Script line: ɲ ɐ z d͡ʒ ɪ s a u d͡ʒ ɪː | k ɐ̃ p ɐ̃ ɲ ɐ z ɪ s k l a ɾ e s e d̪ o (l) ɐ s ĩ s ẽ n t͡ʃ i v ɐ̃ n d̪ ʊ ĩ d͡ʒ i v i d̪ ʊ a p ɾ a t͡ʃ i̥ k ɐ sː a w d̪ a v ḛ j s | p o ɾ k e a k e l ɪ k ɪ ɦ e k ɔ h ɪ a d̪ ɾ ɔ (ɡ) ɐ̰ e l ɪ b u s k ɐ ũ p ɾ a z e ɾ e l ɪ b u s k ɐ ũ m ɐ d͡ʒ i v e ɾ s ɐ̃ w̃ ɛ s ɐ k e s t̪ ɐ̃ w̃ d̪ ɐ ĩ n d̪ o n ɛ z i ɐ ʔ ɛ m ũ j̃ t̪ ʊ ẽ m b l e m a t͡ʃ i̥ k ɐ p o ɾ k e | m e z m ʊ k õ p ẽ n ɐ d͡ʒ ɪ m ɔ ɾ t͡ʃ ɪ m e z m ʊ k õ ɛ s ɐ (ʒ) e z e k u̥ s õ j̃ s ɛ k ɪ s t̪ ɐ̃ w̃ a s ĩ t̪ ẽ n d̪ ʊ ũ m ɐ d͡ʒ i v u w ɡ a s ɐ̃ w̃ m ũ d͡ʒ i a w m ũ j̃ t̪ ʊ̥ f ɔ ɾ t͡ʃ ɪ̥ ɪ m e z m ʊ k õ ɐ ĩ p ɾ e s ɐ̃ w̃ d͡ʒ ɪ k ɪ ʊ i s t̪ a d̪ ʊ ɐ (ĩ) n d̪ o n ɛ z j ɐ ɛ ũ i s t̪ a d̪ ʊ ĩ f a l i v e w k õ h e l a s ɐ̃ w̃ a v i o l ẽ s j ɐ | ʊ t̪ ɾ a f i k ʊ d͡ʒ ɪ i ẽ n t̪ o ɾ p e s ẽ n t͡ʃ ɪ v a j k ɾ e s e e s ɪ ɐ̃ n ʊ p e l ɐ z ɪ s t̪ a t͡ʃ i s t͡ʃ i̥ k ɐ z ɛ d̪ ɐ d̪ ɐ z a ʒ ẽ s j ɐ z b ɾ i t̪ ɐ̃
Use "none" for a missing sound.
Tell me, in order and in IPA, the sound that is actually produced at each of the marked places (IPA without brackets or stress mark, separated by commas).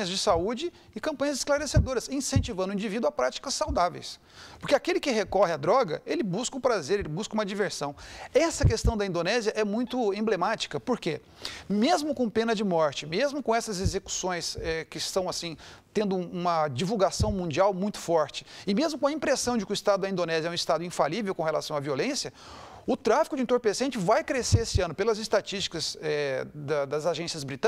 ɾ, ɡ, z, ĩ